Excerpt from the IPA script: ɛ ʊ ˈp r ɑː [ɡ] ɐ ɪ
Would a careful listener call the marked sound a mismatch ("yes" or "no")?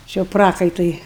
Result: yes